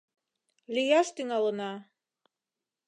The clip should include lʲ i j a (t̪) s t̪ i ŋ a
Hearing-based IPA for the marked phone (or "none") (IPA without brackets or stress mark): none